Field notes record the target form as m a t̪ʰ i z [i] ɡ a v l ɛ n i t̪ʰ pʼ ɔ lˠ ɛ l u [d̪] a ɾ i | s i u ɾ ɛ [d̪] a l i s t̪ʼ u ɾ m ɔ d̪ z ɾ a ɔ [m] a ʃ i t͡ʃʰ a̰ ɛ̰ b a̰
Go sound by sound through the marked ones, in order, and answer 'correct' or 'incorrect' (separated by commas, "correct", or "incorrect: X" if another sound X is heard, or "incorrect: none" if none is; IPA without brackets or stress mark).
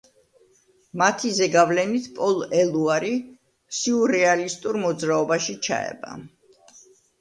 incorrect: ɛ, incorrect: none, incorrect: none, incorrect: b